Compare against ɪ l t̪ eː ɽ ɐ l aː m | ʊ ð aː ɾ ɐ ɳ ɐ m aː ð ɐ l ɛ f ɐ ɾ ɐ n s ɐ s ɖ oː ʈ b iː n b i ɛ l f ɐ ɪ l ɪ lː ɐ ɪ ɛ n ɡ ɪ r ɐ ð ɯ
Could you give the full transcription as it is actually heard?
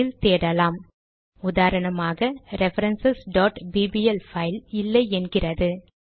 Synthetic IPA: ɪ l t̪ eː ɽ ɐ l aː m | ʊ ð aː ɾ ɐ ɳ ɐ m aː ɣ ɐ ɾ ɛ f ɐ ɾ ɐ n s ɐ s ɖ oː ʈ b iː b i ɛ l f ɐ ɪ l ɪ lː ɐ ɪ ɛ n ɡ ɪ r ɐ ð ɯ